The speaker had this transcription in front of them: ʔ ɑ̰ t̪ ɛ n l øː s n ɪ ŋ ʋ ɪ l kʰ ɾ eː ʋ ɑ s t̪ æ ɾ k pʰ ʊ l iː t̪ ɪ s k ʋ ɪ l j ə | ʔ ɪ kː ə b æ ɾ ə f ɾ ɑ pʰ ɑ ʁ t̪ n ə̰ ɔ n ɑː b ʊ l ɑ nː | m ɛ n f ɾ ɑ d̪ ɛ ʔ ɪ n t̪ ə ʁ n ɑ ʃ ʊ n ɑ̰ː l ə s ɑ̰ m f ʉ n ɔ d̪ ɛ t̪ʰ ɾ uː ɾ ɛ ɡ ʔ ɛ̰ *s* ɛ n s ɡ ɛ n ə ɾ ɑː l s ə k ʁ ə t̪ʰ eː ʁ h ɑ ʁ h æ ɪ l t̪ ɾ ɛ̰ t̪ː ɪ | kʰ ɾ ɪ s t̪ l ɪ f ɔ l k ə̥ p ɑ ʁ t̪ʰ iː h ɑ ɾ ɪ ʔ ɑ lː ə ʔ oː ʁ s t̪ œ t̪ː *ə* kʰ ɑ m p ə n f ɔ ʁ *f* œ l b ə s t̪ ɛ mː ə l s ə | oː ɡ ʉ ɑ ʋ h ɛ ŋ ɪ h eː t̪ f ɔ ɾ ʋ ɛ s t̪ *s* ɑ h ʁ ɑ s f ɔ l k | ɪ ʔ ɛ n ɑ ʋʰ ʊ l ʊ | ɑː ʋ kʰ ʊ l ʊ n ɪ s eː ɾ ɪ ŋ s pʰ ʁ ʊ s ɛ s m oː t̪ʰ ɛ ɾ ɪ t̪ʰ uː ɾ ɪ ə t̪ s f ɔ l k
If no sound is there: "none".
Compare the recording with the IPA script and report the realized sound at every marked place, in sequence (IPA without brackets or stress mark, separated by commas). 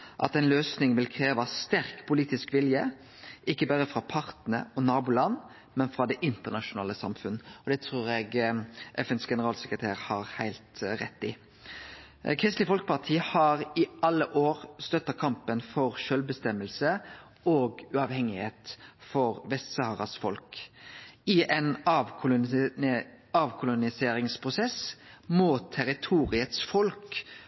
f, ɑ, ʃ, s